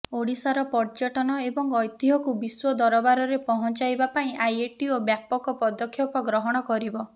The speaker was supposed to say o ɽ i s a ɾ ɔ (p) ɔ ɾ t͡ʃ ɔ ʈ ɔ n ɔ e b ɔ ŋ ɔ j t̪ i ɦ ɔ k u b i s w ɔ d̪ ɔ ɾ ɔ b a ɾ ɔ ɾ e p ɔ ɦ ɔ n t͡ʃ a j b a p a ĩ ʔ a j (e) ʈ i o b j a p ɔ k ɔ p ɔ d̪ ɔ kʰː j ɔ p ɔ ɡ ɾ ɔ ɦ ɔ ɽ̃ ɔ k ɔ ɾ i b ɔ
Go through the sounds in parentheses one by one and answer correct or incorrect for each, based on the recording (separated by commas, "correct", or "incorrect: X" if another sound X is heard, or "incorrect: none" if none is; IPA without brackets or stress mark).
correct, correct